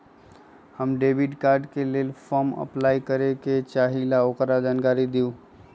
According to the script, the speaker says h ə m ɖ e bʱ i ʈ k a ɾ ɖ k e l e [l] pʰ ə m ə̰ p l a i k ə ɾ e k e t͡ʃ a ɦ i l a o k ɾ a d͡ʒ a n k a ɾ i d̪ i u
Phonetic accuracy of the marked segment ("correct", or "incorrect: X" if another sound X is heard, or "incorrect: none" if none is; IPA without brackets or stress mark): correct